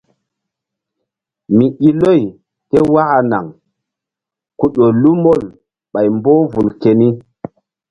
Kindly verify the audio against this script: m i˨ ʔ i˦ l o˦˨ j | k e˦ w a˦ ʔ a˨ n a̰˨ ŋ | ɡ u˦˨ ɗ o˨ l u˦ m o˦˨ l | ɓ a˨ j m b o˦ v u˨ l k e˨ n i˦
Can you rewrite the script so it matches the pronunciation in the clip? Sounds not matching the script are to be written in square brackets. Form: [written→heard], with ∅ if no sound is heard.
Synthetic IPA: m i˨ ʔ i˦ l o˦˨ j | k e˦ w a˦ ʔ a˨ n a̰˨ ŋ | [ɡ→k] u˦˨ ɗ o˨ l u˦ m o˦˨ l | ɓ a˨ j m b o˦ v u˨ l k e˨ n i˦